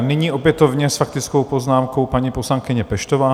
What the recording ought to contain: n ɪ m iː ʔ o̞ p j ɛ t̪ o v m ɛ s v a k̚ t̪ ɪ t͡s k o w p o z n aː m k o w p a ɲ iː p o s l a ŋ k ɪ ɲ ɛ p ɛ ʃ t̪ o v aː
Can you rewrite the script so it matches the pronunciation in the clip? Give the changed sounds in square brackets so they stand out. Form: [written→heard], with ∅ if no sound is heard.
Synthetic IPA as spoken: n ɪ [m→ɲ] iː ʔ o̞ p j ɛ t̪ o v [m→ɲ] ɛ s [v→f] a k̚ t̪ ɪ t͡s k o w p o z n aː m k o w p a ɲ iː p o s l a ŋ k ɪ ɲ ɛ p ɛ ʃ t̪ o v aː